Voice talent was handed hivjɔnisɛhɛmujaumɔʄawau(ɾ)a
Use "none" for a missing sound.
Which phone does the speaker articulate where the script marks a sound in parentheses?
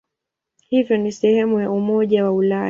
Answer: l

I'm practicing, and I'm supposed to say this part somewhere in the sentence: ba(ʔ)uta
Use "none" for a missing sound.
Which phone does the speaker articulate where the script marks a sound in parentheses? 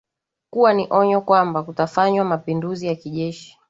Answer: k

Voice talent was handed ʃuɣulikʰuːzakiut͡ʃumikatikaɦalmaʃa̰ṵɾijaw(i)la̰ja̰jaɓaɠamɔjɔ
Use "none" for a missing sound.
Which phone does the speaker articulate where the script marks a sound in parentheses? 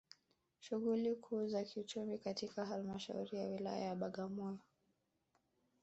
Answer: i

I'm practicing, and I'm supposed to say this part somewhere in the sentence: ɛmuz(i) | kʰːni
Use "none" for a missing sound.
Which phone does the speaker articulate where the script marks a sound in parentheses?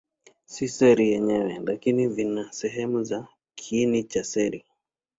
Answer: a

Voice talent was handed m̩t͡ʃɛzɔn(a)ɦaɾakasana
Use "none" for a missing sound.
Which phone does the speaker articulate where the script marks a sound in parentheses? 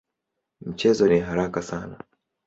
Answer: i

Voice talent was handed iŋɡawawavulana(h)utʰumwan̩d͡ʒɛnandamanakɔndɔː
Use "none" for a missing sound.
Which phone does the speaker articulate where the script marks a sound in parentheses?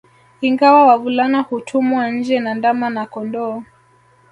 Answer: h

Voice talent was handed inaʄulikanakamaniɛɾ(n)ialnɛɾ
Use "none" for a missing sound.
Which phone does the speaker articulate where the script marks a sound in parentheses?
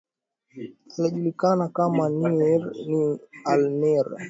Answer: n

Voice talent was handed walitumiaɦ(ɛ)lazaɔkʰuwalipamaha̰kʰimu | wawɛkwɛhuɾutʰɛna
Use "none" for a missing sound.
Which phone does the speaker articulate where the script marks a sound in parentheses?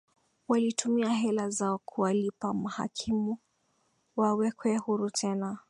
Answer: ɛ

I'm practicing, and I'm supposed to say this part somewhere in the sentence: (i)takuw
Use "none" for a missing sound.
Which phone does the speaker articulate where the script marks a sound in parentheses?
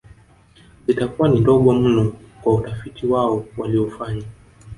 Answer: i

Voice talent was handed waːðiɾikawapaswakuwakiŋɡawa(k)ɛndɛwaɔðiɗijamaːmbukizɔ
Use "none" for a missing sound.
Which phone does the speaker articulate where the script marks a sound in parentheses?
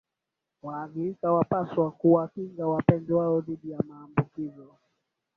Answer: p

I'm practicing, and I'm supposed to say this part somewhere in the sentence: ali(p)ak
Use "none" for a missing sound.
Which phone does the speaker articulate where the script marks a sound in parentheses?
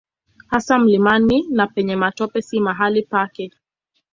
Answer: p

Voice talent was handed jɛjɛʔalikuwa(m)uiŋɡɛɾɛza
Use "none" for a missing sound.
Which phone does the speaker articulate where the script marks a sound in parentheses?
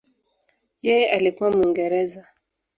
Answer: m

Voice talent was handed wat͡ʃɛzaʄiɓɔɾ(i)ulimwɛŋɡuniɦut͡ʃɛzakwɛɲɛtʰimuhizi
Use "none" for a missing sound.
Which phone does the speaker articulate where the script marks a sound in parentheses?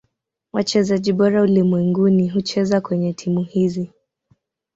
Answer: a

